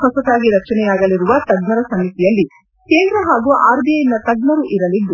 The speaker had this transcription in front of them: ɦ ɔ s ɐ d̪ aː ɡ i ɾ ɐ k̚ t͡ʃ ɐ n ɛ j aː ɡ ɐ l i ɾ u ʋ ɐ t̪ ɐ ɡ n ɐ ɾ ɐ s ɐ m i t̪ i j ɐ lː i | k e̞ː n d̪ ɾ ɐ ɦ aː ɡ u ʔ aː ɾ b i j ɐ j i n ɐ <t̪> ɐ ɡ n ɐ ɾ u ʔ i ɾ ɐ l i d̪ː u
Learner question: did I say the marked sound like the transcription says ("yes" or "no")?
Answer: yes